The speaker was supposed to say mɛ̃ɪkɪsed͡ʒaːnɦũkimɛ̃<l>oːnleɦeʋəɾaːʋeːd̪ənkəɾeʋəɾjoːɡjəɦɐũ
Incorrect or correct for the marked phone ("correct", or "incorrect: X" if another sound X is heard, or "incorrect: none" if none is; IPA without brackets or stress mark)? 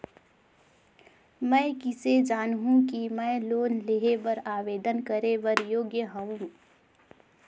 correct